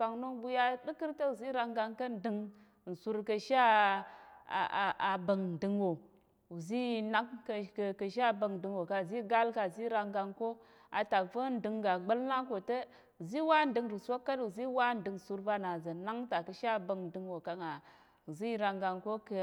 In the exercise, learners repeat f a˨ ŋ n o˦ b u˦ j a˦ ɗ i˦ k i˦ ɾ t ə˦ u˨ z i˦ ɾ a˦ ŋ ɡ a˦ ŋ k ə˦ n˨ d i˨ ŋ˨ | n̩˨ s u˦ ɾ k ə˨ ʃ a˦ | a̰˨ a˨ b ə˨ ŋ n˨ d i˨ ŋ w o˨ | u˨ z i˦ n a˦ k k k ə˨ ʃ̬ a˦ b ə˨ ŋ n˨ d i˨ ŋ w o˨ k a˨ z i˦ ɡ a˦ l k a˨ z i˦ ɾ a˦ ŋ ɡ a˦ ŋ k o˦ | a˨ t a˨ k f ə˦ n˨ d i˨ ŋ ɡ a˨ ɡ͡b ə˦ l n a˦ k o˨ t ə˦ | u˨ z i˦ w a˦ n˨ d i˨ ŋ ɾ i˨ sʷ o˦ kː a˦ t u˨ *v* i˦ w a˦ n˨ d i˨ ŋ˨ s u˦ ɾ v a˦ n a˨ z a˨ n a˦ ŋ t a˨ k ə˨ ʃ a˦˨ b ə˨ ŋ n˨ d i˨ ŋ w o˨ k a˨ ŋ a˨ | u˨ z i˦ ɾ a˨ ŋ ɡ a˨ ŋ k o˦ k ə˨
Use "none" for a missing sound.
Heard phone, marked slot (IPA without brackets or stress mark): z